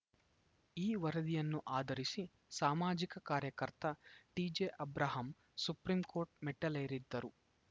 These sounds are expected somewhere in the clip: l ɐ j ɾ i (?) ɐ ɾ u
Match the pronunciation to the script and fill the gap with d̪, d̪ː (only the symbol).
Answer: d̪ː